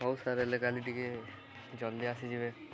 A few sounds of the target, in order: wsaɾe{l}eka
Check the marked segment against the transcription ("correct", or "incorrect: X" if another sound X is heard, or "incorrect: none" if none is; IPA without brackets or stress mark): correct